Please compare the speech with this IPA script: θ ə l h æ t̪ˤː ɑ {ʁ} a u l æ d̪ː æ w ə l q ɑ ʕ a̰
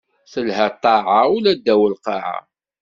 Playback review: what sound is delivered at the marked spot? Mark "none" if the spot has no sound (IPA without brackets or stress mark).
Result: ʕ